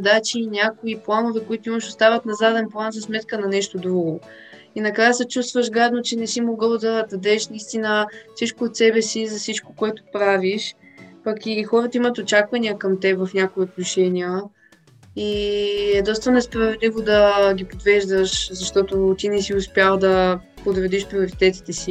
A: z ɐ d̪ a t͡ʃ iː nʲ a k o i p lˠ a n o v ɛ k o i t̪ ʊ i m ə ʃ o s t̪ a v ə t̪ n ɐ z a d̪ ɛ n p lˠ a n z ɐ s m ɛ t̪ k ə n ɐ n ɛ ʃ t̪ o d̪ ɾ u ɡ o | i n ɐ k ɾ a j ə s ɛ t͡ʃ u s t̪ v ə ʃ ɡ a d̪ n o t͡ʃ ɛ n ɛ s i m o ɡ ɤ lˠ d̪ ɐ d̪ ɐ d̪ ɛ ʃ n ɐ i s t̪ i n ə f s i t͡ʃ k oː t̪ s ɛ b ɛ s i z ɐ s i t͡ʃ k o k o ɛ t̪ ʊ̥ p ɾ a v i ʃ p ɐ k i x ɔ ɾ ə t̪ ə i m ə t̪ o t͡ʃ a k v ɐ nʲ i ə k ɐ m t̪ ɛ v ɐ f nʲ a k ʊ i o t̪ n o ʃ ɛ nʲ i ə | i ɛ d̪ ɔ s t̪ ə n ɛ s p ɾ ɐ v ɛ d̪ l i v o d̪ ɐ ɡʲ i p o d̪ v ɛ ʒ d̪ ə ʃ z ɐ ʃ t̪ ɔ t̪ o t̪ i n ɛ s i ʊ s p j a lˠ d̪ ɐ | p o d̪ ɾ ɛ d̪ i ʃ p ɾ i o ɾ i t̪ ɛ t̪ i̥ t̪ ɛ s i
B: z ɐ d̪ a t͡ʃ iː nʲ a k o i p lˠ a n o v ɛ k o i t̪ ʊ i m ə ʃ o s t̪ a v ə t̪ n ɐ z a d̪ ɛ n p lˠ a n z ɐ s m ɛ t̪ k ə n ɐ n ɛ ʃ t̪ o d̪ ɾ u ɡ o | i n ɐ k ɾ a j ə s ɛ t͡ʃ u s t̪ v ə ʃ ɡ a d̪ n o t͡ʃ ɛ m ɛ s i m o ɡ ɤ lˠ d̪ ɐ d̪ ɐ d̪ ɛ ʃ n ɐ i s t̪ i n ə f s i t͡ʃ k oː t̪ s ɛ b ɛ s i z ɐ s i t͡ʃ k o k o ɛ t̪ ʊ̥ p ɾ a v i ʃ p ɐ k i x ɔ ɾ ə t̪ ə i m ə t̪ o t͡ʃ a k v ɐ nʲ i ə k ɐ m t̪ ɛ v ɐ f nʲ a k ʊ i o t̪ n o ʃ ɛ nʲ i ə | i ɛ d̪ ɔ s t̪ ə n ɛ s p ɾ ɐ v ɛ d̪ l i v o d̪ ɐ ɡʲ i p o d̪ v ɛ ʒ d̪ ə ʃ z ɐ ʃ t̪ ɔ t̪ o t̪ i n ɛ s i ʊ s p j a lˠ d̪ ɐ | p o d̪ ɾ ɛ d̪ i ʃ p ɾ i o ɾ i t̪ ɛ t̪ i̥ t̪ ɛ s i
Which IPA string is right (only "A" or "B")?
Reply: A